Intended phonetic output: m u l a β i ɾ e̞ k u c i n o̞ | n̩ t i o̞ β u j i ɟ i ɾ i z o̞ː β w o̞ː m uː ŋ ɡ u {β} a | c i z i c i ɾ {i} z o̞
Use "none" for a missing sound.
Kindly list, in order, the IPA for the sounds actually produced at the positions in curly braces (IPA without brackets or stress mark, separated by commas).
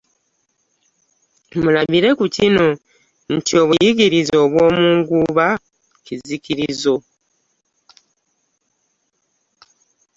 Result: β, i